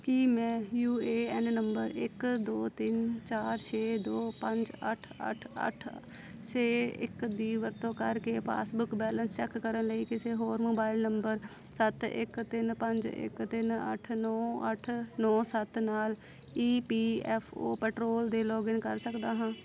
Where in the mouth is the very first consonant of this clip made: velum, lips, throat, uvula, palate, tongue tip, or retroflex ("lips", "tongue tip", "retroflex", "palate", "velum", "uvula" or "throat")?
velum